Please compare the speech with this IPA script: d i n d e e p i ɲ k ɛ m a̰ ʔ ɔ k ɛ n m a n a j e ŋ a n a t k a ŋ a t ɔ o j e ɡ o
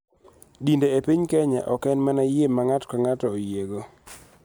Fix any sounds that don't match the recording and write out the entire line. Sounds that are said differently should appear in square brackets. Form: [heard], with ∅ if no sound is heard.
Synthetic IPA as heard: d i n d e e p i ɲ k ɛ [ɲ] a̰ ʔ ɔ k ɛ n m a n a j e [m] a [ŋ] a t k a ŋ a t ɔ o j e ɡ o